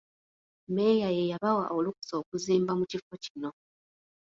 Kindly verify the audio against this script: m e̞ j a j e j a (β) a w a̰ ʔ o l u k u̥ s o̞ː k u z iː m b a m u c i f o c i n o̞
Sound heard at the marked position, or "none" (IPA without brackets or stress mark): β